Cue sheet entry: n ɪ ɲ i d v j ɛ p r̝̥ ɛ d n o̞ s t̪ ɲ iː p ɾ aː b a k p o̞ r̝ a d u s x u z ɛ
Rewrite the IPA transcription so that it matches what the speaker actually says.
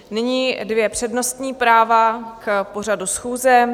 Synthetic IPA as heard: n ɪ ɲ i d v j ɛ p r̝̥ ɛ d n o̞ s t̪ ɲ iː p ɾ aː v a k p o̞ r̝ a d u s x uː z ɛ